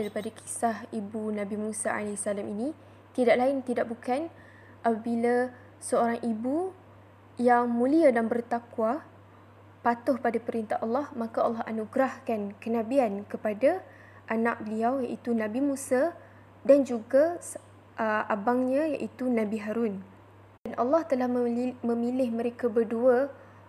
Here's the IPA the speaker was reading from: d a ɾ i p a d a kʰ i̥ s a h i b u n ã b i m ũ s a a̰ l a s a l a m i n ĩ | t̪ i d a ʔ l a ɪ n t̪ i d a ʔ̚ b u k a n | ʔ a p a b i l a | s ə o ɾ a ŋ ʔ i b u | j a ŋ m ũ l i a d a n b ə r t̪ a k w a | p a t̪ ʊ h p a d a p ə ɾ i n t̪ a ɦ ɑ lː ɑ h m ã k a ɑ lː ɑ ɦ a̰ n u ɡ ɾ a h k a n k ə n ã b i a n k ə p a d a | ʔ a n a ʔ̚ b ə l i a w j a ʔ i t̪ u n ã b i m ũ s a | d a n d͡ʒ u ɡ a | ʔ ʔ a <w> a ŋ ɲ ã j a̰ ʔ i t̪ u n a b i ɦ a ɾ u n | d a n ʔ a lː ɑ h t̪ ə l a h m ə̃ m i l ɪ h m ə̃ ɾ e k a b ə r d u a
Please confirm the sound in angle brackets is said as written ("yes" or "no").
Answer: no